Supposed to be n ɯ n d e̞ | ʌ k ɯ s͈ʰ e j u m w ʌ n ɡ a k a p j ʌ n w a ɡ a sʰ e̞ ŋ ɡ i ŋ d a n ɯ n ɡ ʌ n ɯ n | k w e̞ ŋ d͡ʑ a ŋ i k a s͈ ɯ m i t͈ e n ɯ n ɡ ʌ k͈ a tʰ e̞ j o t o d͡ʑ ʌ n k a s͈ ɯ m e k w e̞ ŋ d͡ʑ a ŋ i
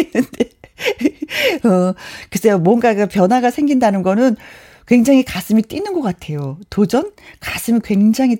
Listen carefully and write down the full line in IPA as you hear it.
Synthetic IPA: n ɯ n d e̞ | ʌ k ɯ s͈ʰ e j o m w ʌ n ɡ a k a p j ʌ n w a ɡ a sʰ e̞ ŋ ɡ i n d a n ɯ n ɡ ʌ n ɯ n | k w e̞ ŋ d͡ʑ a ŋ i k a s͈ ɯ m i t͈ i n ɯ n ɡ ʌ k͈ a tʰ e̞ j o t o d͡ʑ ʌ n k a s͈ ɯ m i k w e̞ ŋ d͡ʑ a ŋ i